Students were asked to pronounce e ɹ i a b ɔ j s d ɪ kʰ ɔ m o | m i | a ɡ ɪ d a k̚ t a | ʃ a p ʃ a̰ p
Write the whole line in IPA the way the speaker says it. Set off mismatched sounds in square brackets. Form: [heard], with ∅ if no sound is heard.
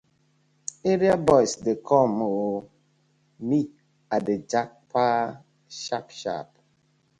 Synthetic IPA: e [ɾ] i a b ɔ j s d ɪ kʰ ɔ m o | m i | a [d] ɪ [d͡ʒ] a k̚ [p] a | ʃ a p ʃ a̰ p